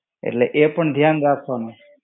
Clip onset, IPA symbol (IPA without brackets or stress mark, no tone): ḛ